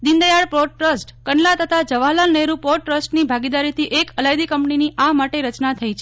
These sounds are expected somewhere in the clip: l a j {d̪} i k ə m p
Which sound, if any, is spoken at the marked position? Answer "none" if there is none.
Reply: d̪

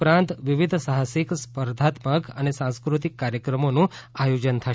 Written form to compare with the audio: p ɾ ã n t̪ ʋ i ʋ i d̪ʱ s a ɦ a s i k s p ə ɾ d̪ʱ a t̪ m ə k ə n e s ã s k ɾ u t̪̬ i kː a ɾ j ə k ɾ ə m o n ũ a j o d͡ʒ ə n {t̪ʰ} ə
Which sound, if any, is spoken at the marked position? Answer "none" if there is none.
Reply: t̪ʰ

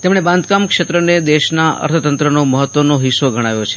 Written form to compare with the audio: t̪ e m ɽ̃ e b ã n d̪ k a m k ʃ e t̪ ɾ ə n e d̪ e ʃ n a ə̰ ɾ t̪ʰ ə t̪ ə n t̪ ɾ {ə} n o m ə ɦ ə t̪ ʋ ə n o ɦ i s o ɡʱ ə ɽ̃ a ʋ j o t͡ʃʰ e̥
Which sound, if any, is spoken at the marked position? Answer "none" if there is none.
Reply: ə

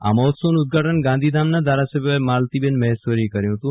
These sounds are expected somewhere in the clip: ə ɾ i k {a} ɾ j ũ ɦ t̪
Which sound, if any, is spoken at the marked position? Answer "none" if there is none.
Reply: ə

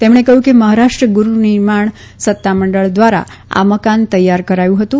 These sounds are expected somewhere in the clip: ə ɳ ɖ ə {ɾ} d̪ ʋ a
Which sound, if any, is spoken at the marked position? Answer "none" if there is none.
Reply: ɭ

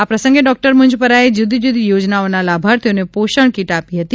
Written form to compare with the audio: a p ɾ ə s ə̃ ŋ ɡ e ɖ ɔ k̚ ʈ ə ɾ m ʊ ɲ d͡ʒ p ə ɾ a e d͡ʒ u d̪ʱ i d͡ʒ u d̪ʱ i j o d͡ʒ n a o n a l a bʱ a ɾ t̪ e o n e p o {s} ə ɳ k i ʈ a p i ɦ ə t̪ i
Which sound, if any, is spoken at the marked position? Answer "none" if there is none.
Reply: ʃ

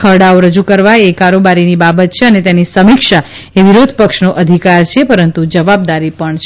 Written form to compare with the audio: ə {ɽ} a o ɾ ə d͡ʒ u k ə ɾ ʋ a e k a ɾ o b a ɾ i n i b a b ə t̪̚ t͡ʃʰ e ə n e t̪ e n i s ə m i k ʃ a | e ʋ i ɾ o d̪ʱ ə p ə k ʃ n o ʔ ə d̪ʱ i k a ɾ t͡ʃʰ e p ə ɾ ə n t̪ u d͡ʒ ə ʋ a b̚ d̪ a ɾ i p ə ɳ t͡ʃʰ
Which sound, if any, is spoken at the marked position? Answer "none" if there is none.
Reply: ɽ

